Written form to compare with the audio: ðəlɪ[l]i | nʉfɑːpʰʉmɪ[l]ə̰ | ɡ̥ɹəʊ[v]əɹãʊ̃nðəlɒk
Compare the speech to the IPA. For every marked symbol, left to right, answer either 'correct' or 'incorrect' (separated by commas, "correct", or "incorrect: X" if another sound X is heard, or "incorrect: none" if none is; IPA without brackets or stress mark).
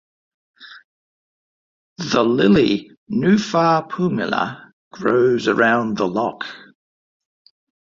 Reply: correct, correct, incorrect: z